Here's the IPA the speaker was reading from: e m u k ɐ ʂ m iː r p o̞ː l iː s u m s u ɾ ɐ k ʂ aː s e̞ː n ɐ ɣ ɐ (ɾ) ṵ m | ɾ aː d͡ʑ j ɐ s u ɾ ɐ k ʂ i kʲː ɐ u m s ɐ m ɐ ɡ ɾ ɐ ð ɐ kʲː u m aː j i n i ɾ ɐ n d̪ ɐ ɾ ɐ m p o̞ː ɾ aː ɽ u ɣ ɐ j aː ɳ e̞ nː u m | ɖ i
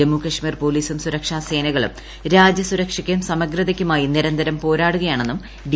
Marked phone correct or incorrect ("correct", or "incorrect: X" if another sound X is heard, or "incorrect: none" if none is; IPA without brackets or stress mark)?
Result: incorrect: ɭ